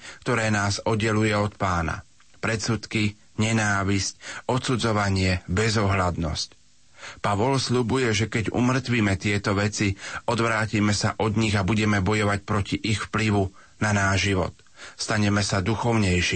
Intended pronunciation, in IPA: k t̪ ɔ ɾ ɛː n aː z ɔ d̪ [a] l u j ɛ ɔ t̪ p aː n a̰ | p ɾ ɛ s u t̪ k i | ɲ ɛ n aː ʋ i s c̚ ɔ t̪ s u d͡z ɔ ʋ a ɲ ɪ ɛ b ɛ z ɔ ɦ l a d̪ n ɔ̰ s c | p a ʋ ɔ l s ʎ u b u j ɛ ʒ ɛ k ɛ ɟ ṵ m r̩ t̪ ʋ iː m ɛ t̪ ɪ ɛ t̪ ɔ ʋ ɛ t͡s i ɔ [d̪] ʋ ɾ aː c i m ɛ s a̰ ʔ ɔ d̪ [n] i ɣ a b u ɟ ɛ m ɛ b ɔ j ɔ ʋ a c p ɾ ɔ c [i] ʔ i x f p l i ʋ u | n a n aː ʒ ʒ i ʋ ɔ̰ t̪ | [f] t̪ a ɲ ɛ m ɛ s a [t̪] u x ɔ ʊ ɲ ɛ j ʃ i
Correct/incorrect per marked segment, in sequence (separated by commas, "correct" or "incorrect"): incorrect, correct, incorrect, correct, incorrect, incorrect